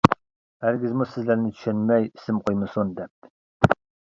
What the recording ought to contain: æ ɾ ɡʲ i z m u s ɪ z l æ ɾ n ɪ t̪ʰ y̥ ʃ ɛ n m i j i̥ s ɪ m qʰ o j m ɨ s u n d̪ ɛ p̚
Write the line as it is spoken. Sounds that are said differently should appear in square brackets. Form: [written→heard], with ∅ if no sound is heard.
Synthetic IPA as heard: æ ɾ ɡʲ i z m u s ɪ z l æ ɾ n ɪ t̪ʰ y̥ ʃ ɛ n m [i→ɛ] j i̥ s ɪ m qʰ o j m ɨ s u n d̪ ɛ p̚